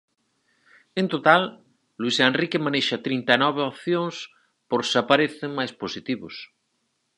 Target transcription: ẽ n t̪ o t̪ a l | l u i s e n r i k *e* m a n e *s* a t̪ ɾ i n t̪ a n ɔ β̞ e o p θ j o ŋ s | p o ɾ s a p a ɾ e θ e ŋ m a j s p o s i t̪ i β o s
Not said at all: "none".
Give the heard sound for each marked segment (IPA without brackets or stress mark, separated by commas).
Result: e, ʃ